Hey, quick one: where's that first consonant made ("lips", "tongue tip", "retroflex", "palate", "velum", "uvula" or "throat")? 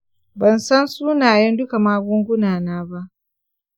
lips